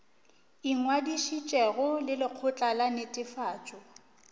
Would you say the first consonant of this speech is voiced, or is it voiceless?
voiced